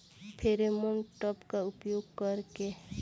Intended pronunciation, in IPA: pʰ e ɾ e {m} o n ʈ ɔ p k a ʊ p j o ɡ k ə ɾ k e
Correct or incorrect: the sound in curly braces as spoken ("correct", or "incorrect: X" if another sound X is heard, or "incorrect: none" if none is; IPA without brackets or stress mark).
correct